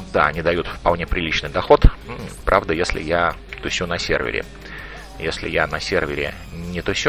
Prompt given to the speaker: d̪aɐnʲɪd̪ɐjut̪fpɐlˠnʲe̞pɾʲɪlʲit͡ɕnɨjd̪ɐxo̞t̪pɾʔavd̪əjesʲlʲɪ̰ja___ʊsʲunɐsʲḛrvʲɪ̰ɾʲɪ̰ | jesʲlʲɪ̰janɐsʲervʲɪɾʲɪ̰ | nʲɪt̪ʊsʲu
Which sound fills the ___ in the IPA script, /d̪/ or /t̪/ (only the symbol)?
t̪